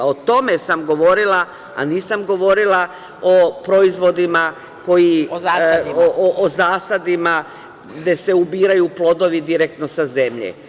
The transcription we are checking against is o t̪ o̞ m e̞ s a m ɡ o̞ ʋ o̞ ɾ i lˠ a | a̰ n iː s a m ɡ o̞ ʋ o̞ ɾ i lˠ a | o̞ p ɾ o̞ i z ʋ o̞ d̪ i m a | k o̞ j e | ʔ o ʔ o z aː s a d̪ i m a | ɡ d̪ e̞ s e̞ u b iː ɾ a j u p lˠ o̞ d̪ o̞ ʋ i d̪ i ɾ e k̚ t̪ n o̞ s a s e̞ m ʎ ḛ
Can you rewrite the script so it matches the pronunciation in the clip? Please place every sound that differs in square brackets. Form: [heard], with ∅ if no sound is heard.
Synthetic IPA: o t̪ o̞ m e̞ s a m ɡ o̞ ʋ o̞ ɾ i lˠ a | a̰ n iː s a m ɡ o̞ ʋ o̞ ɾ i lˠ a | o̞ p ɾ o̞ i z ʋ o̞ d̪ i m a | k o̞ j [i] | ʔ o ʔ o z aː s a d̪ i m a | ɡ d̪ e̞ s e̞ u b iː ɾ a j u p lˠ o̞ d̪ o̞ ʋ i d̪ i ɾ e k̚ t̪ n o̞ s a [z] e̞ m ʎ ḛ